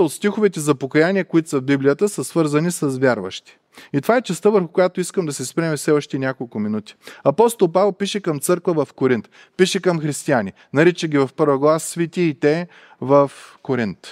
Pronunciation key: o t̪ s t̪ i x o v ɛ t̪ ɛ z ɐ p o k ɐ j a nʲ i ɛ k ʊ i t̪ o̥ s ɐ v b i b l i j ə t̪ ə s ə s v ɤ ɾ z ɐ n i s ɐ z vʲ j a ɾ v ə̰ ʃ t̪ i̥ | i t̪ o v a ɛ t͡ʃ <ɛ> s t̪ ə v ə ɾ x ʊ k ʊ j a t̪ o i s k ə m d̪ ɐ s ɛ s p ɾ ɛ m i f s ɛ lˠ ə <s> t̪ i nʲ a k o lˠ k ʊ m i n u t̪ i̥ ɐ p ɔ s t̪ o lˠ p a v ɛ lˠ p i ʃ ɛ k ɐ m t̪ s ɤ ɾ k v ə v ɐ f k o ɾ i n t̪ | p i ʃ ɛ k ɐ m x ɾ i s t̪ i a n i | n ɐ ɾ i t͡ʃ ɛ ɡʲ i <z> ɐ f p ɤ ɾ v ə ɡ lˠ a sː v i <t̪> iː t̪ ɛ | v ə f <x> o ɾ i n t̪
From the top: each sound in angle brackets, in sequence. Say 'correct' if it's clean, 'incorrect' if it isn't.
correct, incorrect: ʃ, incorrect: v, correct, incorrect: k

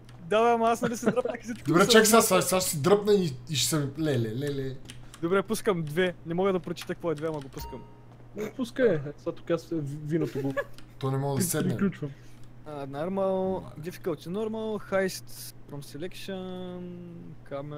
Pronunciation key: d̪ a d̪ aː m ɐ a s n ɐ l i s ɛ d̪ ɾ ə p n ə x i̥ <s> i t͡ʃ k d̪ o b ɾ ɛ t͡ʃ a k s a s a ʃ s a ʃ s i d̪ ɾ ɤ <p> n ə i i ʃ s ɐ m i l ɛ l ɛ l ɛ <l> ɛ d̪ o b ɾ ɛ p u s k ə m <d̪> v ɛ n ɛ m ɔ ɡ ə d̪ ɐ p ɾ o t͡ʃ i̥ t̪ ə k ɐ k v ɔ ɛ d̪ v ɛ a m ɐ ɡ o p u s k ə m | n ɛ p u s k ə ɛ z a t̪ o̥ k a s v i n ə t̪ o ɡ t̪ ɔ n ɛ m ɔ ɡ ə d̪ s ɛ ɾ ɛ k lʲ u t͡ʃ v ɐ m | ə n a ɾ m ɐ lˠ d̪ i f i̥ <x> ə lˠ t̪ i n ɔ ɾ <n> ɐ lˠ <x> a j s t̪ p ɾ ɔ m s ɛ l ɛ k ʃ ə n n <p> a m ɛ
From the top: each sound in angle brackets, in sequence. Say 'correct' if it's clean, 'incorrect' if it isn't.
correct, correct, correct, correct, incorrect: k, incorrect: m, correct, incorrect: k

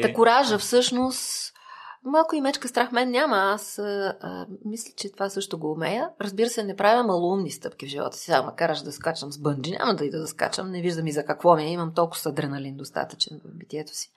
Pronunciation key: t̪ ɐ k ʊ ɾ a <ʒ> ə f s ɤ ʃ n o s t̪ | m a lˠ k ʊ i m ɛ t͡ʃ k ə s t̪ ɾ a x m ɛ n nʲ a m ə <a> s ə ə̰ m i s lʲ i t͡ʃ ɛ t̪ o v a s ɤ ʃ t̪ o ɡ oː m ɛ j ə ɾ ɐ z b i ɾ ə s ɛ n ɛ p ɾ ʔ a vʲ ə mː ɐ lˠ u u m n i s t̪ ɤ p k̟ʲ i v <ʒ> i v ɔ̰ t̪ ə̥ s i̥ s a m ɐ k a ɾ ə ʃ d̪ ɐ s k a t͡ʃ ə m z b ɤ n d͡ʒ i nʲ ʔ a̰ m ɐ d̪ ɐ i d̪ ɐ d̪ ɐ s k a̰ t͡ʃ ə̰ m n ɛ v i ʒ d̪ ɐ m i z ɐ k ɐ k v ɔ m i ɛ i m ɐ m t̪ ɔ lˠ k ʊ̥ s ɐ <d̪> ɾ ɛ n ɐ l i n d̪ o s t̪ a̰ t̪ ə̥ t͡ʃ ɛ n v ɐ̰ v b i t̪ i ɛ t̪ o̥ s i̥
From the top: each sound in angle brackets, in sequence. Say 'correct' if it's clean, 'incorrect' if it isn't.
correct, correct, correct, correct

